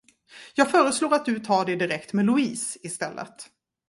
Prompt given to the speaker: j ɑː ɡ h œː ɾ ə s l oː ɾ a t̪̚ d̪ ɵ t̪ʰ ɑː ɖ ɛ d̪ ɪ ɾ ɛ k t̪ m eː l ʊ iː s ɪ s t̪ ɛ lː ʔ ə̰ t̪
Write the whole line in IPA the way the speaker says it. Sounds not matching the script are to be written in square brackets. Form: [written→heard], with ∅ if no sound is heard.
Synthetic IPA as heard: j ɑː ɡ [h→f] œː ɾ ə s l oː ɾ a t̪̚ d̪ ɵ t̪ʰ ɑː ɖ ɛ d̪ ɪ ɾ ɛ k t̪ m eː l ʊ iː s ɪ s t̪ ɛ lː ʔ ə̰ t̪